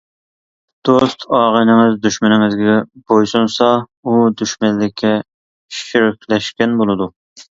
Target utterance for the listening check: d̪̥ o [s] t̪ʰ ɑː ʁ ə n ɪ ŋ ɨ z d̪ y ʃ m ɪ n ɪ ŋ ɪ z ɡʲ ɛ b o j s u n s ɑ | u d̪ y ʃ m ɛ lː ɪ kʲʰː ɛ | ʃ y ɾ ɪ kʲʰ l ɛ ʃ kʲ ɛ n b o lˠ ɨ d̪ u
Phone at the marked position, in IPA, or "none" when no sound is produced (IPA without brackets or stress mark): s